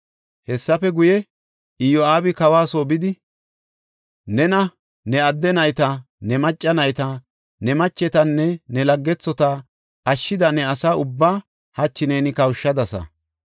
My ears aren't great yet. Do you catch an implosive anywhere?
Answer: no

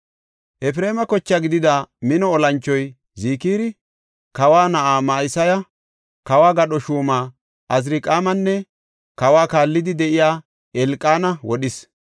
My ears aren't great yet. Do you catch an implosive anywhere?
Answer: yes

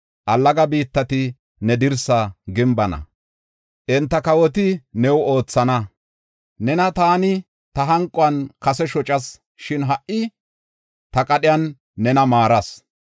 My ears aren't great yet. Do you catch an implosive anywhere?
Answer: yes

